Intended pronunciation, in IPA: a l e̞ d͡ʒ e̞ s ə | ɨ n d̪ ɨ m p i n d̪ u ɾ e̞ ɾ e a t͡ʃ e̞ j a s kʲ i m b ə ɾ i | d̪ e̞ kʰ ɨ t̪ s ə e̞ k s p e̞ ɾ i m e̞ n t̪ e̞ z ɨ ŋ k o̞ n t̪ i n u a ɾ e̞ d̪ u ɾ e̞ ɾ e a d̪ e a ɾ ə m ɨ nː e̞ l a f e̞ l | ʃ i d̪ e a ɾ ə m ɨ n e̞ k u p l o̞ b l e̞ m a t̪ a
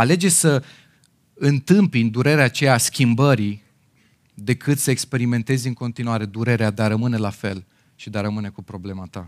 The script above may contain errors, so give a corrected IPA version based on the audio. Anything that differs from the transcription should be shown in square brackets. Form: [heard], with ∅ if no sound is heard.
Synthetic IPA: a l e̞ d͡ʒ e̞ s ə | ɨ n [t̪] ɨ m p i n d̪ u ɾ e̞ ɾ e a t͡ʃ e̞ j a s kʲ i m b ə ɾ i | d̪ e̞ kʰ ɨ t̪ s ə e̞ k s p e̞ ɾ i m e̞ n t̪ e̞ z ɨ ŋ k o̞ n t̪ i n u a ɾ e̞ d̪ u ɾ e̞ ɾ e a d̪ e a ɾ ə m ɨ [n] e̞ l a f e̞ l | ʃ i d̪ e a ɾ ə m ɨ n e̞ k u p [ɾ] o̞ b l e̞ m a t̪ a